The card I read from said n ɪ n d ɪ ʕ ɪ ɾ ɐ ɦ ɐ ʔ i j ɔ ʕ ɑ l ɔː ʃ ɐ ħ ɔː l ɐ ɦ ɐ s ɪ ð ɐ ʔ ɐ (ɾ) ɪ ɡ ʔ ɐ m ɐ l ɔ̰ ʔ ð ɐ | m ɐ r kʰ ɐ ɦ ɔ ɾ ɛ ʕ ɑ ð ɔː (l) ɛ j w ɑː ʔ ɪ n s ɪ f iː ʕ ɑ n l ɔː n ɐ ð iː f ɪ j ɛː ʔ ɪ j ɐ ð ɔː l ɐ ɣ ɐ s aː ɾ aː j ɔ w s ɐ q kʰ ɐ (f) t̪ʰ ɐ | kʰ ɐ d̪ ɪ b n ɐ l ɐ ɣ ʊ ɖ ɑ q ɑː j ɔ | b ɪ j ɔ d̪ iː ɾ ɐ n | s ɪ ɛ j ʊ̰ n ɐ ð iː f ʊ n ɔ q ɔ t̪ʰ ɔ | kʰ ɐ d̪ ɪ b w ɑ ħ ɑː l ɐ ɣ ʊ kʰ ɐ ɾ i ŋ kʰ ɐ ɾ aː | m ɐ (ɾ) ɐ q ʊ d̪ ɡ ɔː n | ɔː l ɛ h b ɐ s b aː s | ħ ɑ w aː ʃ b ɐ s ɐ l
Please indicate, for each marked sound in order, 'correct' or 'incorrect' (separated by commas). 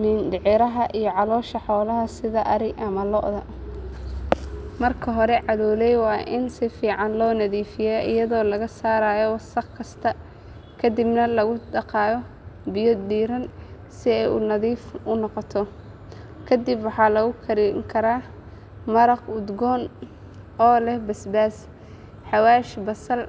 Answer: correct, correct, incorrect, correct